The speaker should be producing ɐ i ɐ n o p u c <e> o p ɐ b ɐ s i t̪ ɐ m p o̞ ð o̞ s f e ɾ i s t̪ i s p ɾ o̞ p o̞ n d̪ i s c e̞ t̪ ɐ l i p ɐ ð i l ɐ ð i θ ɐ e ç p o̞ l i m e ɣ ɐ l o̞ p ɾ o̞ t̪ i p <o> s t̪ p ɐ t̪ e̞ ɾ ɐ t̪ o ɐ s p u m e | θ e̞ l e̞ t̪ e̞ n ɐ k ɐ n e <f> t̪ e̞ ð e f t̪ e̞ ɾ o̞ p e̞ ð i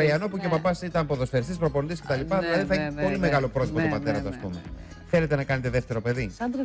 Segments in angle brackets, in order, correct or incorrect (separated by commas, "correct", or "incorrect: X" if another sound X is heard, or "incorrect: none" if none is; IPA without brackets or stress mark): correct, correct, incorrect: none